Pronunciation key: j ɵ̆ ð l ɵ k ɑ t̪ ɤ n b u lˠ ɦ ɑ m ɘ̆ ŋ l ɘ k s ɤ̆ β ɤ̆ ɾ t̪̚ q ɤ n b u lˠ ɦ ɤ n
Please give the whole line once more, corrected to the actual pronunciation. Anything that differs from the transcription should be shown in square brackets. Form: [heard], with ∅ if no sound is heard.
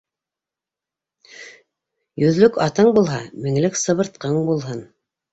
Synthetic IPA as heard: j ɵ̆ ð l ɵ k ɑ t̪ ɤ [ɴ] b u lˠ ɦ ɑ m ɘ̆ ŋ l ɘ k s ɤ̆ β ɤ̆ ɾ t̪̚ q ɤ [ɴ] b u lˠ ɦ ɤ n